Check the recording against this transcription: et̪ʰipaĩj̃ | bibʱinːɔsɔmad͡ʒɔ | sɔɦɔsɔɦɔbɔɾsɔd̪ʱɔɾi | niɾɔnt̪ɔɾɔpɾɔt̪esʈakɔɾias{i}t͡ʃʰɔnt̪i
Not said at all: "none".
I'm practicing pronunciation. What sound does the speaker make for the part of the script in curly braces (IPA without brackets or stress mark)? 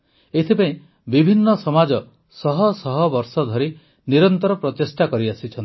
i